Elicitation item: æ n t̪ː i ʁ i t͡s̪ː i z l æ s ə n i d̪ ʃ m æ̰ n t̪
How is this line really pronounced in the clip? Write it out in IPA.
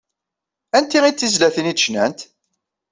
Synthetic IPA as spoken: æ n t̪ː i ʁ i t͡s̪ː i z l æ θ ə n i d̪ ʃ n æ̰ n t̪